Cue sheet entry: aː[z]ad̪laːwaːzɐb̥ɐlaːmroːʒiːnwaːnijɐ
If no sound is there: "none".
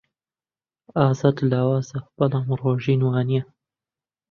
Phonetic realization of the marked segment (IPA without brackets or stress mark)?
z